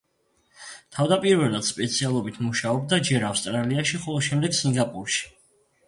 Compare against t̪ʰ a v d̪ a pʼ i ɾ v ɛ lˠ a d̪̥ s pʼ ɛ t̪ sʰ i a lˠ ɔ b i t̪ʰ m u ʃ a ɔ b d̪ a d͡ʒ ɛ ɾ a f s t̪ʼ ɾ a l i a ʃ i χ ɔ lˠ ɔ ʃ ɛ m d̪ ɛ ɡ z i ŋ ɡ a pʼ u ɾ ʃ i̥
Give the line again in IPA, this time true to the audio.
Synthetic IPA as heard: t̪ʰ a v d̪ a pʼ i ɾ v ɛ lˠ a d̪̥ s pʼ ɛ t̪ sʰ i a lˠ ɔ b i t̪ʰ m u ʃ a ɔ b d̪ a d͡ʒ ɛ ɾ a f s t̪ʼ ɾ a l i a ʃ i χ ɔ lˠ ɔ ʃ ɛ m d̪ ɛ ɡ s i ŋ ɡ a pʼ u ɾ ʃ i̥